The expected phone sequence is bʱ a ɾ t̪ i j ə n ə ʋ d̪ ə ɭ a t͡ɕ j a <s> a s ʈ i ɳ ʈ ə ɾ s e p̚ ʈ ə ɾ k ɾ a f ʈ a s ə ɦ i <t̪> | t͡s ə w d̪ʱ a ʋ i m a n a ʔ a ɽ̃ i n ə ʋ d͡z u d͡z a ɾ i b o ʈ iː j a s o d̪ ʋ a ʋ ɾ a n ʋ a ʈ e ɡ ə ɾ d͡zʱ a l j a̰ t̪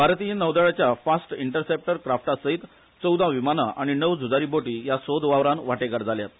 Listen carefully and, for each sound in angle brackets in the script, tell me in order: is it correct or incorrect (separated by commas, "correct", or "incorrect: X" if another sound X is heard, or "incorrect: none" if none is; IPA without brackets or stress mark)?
incorrect: f, correct